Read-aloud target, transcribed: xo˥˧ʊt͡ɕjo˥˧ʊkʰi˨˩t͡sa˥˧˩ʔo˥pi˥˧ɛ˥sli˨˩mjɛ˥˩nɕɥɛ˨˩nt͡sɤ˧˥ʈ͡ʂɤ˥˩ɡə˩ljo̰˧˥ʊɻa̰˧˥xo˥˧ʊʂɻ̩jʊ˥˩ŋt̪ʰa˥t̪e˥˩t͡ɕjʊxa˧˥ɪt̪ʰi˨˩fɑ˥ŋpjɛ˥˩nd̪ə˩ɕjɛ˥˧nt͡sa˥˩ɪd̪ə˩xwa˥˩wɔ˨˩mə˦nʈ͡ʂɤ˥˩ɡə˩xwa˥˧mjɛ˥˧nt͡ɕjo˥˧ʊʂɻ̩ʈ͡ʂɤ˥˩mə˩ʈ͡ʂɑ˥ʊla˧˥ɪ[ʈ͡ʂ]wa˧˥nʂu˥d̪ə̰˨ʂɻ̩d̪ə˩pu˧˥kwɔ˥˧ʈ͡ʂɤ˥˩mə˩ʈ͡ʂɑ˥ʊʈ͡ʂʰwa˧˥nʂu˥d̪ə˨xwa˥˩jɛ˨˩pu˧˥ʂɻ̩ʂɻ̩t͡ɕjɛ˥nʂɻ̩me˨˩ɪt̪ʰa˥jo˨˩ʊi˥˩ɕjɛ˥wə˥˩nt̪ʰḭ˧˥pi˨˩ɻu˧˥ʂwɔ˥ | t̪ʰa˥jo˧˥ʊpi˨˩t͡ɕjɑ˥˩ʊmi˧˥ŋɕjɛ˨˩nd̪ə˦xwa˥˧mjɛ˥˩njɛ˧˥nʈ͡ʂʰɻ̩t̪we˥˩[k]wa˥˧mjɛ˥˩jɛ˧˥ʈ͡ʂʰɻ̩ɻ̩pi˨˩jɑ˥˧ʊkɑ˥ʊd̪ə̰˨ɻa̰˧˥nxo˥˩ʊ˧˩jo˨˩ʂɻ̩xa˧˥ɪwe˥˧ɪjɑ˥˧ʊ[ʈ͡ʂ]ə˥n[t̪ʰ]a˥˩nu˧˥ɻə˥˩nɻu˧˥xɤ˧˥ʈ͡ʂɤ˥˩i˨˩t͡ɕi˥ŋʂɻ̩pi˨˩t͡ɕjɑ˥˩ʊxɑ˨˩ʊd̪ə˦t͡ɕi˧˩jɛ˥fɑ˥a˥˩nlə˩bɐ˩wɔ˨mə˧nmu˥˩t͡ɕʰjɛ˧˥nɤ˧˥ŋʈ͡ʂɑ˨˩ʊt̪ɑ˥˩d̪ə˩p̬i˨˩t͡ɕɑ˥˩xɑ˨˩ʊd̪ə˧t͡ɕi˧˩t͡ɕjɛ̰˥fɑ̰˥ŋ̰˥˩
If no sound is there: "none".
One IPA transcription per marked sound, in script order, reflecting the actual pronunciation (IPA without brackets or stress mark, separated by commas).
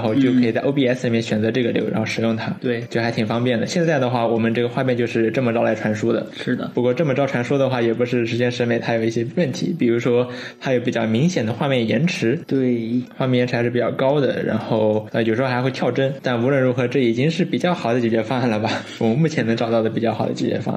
ʈ͡ʂʰ, x, ʈ͡ʂ, t̪